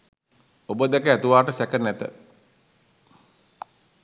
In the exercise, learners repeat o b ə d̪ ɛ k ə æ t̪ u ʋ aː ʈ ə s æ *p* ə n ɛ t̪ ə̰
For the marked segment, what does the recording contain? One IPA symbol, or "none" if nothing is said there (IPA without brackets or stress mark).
k